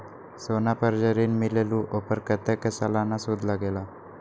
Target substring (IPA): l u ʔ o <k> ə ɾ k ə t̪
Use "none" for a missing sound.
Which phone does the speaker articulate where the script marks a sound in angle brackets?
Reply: p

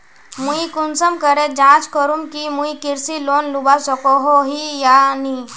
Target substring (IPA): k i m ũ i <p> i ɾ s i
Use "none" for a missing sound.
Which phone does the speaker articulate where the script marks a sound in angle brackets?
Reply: k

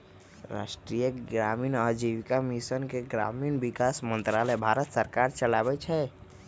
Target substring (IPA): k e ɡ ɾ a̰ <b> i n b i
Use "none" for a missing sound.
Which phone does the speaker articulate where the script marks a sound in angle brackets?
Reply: m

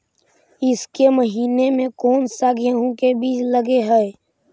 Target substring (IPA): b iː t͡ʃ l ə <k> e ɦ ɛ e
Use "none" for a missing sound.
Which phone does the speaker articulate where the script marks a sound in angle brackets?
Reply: ɡ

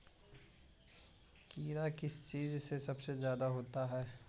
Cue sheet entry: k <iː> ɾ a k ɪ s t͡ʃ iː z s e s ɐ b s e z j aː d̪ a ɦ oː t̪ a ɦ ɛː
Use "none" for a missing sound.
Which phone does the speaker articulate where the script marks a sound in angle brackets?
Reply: iː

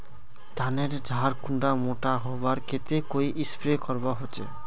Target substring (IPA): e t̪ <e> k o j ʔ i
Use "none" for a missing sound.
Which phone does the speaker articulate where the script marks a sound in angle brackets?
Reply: e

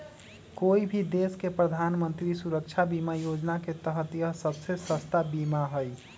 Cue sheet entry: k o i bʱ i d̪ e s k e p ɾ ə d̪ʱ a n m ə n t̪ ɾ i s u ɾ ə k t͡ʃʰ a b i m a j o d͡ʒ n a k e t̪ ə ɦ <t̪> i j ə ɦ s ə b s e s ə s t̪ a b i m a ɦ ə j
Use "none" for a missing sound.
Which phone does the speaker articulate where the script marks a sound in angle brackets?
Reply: t̪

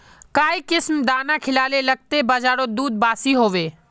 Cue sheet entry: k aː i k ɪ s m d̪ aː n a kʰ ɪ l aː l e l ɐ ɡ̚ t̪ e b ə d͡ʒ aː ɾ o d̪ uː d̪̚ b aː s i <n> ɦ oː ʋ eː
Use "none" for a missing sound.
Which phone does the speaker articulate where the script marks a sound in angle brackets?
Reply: none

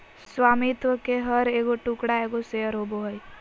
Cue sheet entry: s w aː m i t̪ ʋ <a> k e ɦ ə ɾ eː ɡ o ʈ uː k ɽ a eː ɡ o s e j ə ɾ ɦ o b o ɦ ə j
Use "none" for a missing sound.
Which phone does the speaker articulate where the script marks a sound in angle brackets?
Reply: ə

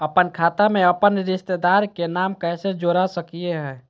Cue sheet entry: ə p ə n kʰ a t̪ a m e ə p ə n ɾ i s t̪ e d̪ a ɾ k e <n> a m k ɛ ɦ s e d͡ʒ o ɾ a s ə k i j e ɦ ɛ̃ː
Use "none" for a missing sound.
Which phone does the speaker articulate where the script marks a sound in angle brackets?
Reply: n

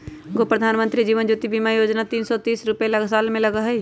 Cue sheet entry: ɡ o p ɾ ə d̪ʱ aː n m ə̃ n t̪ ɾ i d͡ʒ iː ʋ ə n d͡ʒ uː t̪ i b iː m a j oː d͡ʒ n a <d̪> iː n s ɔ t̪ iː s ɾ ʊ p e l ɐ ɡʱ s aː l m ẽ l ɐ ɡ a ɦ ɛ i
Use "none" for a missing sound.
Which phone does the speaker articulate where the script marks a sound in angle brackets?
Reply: t̪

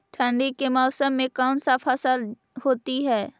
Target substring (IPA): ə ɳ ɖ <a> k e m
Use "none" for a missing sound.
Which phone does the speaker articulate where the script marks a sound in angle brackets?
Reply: i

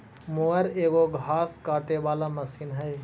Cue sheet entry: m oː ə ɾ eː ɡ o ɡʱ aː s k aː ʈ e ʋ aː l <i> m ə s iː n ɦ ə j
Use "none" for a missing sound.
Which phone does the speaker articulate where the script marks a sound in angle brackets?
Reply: a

